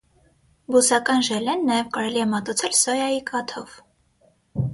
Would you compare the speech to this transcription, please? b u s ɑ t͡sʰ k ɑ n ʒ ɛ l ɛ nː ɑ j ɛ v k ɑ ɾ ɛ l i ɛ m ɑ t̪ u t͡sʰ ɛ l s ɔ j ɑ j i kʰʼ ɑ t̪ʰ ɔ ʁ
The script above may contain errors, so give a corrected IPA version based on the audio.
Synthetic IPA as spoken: b u s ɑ k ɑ n ʒ ɛ l ɛ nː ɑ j ɛ v k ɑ ɾ ɛ l i ɛ m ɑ t̪ u t͡sʰ ɛ l s ɔ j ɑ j i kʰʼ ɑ t̪ʰ ɔ v